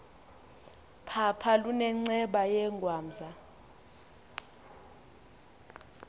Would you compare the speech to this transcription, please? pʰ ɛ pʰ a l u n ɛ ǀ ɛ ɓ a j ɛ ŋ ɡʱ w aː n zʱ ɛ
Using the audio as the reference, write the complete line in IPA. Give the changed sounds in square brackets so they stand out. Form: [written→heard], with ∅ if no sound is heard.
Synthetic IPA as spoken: pʰ [ɛ→a] pʰ a l u n ɛ [ǀ→ŋ͡ǀ] ɛ ɓ a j ɛ ŋ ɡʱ w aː [n→m] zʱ [ɛ→a]

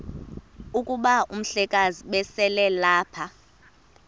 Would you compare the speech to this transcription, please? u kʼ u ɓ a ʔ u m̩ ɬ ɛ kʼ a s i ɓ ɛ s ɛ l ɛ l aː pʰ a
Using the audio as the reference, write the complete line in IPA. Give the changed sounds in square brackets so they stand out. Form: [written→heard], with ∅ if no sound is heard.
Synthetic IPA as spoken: u kʼ u ɓ a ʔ u m̩ ɬ ɛ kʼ a [s→z] i ɓ ɛ s ɛ l ɛ l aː pʰ a

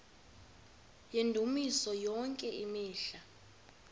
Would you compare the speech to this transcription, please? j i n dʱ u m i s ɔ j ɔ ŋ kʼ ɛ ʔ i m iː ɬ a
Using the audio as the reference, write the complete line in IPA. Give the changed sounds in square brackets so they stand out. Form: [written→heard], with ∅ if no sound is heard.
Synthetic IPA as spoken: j [i→e] n dʱ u m i s ɔ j ɔ ŋ kʼ ɛ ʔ i m iː ɬ a

